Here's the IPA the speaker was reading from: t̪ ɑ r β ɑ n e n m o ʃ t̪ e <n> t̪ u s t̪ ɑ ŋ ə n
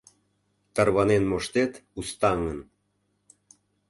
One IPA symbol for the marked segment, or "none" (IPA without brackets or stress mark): none